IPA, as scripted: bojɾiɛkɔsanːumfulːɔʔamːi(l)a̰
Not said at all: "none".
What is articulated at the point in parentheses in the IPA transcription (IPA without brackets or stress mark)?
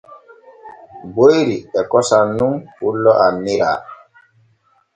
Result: ɾ